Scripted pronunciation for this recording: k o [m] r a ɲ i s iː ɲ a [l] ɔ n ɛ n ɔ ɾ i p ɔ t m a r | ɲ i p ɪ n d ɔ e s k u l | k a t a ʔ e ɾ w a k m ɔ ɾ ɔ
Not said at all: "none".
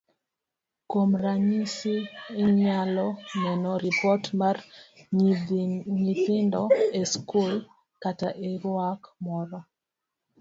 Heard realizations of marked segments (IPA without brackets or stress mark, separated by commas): m, l